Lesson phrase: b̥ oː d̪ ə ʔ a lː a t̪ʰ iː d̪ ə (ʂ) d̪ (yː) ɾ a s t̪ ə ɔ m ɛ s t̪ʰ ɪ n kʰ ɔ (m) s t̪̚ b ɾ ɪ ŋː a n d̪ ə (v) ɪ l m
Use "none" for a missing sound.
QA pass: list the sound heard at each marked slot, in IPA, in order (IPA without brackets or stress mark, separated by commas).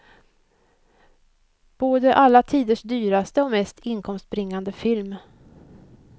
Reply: ʂ, yː, m, f